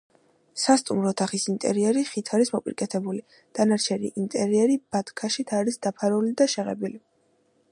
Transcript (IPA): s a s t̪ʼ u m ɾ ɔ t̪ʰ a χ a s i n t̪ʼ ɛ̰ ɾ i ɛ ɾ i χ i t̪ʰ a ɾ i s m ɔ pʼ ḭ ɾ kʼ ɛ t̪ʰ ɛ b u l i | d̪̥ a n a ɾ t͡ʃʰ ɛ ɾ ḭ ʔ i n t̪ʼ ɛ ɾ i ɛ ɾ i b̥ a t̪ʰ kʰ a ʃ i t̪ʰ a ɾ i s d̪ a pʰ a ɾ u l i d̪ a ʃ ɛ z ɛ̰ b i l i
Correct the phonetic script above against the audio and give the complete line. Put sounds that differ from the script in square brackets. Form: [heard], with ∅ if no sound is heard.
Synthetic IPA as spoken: s a s t̪ʼ u m ɾ ɔ t̪ʰ a χ [i] s i n t̪ʼ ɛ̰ ɾ i ɛ ɾ i χ i t̪ʰ a ɾ i s m ɔ pʼ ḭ ɾ kʼ ɛ t̪ʰ ɛ b u l i | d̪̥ a n a ɾ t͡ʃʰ ɛ ɾ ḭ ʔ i n t̪ʼ ɛ ɾ i ɛ ɾ i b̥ a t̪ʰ kʰ a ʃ i t̪ʰ a ɾ i s d̪ a pʰ a ɾ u l i d̪ a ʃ ɛ [ʁ] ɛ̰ b i l i